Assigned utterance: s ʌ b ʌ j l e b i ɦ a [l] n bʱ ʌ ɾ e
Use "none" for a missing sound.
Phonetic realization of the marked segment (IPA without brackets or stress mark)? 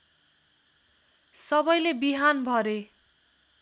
none